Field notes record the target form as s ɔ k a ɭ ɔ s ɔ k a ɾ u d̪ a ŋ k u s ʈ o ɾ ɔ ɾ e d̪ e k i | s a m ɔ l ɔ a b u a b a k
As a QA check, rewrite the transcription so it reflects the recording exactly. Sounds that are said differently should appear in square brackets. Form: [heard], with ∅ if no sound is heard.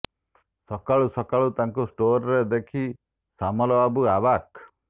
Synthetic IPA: s ɔ k a ɭ [u] s ɔ k a [ɭ] u [t̪] a ŋ k u s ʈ o ɾ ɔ ɾ e d̪ e [kʰ] i | s a m ɔ l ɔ a b u a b a k